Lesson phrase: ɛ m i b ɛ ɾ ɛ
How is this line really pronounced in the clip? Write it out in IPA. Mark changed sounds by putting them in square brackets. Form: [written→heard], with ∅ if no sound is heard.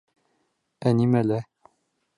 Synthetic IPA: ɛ [m→n] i [b→m] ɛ [ɾ→l] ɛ